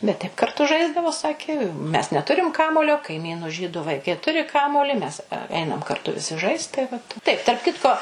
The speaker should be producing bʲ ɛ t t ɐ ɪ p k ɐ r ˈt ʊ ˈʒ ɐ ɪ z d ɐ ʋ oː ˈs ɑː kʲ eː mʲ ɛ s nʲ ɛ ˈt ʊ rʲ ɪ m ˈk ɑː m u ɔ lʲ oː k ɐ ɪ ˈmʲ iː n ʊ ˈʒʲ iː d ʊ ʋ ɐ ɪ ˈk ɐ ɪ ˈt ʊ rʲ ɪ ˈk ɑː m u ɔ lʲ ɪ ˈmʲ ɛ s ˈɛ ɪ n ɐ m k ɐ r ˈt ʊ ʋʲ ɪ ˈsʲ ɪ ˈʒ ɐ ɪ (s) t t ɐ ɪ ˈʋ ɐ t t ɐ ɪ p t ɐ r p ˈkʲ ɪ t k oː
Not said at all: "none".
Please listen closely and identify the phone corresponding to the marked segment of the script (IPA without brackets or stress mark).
s